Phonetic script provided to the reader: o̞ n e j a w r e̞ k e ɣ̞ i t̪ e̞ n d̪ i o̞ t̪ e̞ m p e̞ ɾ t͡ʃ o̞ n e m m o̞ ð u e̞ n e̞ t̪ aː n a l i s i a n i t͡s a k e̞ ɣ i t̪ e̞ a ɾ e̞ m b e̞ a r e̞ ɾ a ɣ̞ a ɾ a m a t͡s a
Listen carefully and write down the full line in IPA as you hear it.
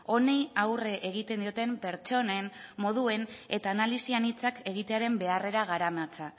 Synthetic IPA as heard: o̞ n e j a w r e̞ ʔ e ɣ̞ i t̪ e̞ n d̪ i o̞ t̪ e̞ m p e̞ ɾ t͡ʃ o̞ n e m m o̞ ð u e̞ n e̞ t̪ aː n a l i s i a n i t͡s a k e̞ ɣ i t̪ e̞ a ɾ e̞ m b e̞ a r e̞ ɾ a ɣ̞ a ɾ a m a t͡s a